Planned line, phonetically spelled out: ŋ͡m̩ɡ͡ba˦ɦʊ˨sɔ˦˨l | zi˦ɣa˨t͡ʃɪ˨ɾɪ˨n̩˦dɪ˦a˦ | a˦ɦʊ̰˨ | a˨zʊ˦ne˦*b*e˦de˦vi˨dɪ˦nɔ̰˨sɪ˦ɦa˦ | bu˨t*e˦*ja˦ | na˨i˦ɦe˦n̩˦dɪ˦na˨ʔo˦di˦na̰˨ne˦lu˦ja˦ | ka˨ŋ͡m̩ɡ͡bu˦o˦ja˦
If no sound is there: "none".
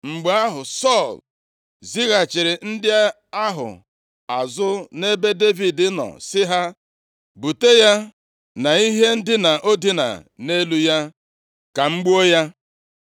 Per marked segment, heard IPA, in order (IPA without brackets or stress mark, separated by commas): b, e˦